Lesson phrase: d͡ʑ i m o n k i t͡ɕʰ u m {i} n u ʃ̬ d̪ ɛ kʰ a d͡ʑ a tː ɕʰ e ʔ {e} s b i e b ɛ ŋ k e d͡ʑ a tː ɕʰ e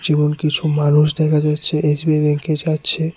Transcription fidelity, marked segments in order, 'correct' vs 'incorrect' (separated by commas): incorrect, correct